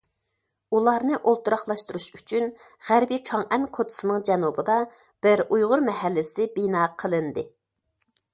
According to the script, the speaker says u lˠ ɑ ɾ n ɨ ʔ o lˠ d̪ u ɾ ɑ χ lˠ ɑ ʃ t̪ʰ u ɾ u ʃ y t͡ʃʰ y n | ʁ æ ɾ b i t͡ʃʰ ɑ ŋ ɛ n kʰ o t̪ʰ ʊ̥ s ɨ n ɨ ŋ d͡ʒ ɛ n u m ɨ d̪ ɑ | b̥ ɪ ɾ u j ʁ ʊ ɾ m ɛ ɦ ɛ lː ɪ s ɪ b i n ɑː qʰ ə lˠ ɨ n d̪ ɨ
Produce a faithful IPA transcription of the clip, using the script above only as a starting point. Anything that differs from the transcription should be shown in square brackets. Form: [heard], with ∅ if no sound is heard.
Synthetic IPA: u lˠ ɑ ɾ n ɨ ʔ o lˠ [t̪] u ɾ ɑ χ lˠ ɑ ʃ [t̪] u ɾ u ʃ y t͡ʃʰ y n | ʁ æ ɾ b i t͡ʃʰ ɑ ŋ ɛ n kʰ o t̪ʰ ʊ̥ s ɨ n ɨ ŋ d͡ʒ ɛ n u [b] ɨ d̪ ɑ | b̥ ɪ ɾ u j ʁ ʊ ɾ m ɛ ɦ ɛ lː ɪ s ɪ b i n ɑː qʰ ə lˠ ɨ n d̪ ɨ